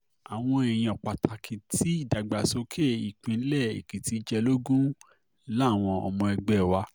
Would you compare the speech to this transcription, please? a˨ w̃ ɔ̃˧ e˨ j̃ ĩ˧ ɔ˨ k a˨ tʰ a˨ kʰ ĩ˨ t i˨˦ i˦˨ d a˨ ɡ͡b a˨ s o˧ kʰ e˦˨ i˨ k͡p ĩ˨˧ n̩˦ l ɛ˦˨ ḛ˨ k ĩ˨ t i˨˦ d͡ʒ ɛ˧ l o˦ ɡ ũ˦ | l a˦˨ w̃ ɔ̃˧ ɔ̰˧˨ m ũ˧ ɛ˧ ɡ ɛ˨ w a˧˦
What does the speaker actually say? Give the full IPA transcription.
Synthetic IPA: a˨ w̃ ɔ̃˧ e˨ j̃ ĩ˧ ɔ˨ k͡p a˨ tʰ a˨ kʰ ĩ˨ t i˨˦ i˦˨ d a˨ ɡ͡b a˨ s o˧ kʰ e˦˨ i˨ k͡p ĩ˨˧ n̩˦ l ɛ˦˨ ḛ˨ k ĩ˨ t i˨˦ d͡ʒ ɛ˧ l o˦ ɡ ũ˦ | l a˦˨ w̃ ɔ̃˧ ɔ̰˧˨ m ɔ̃˧ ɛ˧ ɡ͡b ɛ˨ w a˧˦